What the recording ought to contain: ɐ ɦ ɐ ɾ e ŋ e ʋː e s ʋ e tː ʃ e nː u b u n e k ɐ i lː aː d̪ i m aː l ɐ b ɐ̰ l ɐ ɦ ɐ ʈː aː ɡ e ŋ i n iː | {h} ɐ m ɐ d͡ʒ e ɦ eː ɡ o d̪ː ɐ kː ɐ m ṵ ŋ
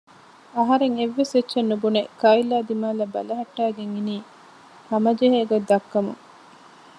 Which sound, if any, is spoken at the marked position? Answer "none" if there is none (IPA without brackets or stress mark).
h